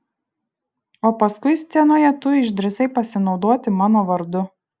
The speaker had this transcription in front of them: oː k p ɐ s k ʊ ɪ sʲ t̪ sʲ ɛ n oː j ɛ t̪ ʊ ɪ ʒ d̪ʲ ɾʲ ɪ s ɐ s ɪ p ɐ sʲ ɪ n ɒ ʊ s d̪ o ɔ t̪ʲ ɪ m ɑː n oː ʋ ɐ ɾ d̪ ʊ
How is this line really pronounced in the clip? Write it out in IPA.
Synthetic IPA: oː p ɐ s k ʊ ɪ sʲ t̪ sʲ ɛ n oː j ɛ t̪ ʊ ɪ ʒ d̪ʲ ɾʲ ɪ s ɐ ɪ p ɐ sʲ ɪ n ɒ ʊ d̪ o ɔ t̪ʲ ɪ m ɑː n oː ʋ ɐ ɾ d̪ ʊ